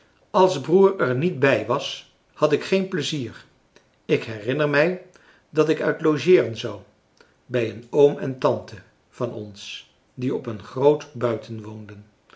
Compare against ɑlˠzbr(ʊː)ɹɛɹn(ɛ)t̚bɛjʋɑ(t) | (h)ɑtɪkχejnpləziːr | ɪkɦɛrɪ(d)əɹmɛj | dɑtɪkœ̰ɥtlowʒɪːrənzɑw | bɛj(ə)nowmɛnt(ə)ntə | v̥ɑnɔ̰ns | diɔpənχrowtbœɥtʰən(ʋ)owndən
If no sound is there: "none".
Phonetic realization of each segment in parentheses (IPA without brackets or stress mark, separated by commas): uː, i, s, h, n, ə, ɑ, ʋ